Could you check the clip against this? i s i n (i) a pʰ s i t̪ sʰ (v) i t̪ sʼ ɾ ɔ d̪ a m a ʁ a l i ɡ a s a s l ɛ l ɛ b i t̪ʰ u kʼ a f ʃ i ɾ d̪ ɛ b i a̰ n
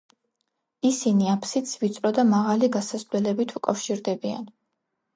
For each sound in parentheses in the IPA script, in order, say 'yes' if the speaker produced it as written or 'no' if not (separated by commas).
yes, yes